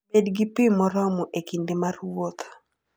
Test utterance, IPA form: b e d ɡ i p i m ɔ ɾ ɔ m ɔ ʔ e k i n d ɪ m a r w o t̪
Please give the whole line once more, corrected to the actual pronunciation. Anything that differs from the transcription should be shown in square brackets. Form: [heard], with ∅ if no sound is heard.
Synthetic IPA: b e d ɡ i p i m ɔ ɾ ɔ m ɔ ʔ e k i n d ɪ m a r w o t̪